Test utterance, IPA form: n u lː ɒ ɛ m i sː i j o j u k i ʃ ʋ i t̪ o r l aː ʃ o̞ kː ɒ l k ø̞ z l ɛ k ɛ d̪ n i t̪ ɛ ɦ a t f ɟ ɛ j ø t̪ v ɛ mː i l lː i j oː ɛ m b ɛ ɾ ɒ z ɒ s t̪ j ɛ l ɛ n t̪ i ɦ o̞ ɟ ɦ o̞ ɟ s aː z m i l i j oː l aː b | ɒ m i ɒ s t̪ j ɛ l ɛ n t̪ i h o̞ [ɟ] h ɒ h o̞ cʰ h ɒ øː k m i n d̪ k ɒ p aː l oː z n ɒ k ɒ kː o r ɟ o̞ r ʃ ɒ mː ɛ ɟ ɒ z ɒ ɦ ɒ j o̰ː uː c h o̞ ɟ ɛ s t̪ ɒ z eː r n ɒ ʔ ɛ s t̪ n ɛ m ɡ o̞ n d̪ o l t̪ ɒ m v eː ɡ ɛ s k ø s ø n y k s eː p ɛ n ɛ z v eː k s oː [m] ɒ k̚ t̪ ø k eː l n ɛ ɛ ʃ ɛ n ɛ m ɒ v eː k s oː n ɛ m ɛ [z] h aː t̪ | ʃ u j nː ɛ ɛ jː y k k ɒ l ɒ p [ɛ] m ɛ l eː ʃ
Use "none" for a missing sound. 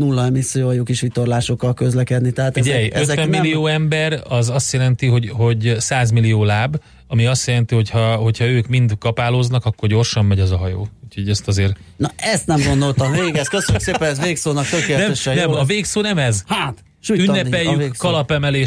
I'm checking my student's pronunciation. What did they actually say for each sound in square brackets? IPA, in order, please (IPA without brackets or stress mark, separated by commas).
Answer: c, n, z, ɛ